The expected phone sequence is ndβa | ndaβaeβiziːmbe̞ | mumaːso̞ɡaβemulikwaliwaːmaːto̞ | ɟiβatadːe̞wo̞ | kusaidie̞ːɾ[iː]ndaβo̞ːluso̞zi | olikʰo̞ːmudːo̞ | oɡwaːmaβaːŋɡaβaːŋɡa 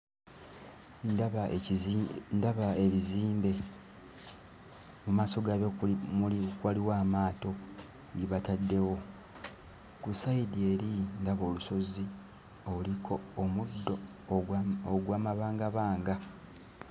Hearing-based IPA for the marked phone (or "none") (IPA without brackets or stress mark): i